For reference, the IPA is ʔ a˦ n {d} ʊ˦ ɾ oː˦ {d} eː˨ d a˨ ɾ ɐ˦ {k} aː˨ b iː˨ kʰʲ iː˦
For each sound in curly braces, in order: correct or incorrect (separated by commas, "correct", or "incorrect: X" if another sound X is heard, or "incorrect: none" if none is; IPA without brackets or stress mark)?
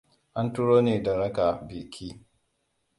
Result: incorrect: t, incorrect: n, correct